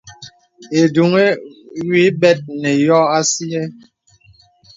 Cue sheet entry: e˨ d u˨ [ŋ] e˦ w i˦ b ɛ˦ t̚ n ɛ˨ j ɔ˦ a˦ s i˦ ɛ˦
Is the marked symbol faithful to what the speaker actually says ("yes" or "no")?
yes